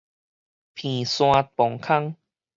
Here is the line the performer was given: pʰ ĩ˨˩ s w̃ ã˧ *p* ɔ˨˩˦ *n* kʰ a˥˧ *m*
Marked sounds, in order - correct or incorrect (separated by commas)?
correct, incorrect, incorrect